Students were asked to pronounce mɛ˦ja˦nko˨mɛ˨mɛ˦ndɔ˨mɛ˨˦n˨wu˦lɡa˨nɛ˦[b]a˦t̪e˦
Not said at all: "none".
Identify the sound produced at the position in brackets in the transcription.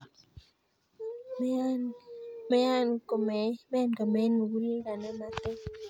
m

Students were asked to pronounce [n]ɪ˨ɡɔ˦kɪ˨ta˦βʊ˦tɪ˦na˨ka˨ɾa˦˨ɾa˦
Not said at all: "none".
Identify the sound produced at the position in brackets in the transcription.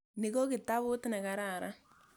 n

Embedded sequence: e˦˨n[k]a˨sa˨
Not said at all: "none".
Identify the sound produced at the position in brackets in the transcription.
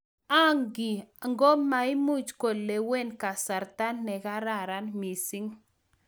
k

